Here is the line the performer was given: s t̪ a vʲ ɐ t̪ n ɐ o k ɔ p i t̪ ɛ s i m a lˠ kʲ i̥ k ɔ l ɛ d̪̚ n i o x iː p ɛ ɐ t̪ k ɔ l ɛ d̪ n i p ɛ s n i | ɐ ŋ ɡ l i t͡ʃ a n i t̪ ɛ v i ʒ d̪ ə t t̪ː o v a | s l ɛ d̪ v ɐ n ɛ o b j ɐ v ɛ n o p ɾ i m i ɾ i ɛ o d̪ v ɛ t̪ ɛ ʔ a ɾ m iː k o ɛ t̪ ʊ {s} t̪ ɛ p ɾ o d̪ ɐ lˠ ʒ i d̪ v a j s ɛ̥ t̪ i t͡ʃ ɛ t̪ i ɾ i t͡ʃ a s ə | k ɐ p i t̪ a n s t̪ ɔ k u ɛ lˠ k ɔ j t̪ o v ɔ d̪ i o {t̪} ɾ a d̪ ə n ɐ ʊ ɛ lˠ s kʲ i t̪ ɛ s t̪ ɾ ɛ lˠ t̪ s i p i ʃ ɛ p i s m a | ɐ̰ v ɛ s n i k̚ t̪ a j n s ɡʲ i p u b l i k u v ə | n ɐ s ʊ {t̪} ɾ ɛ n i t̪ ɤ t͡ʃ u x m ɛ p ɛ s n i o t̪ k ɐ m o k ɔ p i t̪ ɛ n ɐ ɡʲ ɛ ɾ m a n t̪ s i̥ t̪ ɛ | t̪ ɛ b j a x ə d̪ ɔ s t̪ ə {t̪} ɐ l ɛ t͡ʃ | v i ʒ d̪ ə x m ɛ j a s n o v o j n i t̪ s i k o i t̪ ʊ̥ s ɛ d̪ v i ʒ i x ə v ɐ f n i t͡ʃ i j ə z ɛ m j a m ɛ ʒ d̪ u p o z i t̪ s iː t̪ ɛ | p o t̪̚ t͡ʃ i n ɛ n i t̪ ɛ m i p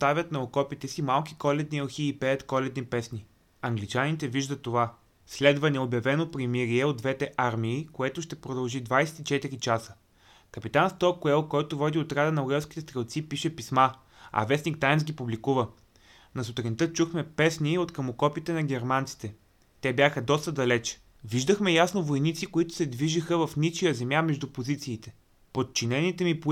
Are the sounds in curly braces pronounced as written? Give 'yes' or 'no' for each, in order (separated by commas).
no, yes, yes, no